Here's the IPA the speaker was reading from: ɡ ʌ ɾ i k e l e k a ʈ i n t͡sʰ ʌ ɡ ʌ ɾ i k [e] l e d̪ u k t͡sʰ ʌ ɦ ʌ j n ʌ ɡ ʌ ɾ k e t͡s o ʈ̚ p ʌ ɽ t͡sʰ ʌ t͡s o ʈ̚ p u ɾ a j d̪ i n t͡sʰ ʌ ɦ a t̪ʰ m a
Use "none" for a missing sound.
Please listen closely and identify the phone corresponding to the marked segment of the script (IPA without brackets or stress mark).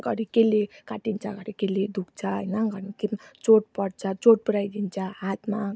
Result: e